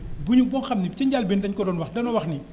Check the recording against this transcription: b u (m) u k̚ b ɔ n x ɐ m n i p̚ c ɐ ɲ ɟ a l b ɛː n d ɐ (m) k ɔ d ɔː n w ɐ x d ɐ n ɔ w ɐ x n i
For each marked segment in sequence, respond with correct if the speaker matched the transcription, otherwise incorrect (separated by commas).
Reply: incorrect, incorrect